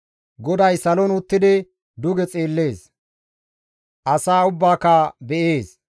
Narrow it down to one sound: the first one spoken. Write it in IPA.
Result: ɡ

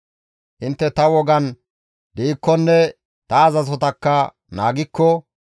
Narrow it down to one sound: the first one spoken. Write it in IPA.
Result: ʔ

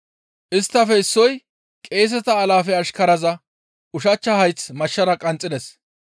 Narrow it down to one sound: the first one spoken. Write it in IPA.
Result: ʔ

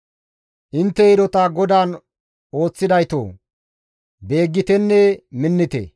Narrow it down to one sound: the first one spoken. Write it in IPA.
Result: ʔ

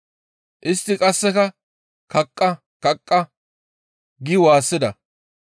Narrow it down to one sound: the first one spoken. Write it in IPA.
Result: ʔ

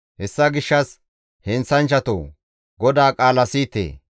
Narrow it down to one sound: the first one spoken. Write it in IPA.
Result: h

